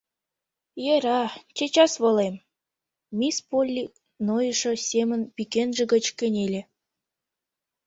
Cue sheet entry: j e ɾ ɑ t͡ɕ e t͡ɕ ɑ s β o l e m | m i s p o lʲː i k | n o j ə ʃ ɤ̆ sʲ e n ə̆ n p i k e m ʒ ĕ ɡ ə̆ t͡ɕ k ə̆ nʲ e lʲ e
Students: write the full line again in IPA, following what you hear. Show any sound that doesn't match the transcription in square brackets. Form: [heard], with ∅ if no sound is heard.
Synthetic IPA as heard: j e ɾ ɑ t͡ɕ e t͡ɕ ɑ s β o l e m | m i s p o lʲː i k | n o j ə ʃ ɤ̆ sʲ e [m] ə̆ n p i k e [n] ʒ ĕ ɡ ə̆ t͡ɕ k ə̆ nʲ e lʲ e